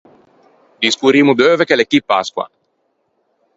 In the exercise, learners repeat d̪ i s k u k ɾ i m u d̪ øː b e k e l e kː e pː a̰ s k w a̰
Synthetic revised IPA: d̪ i s k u ɾ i m u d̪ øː v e k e l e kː i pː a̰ s k w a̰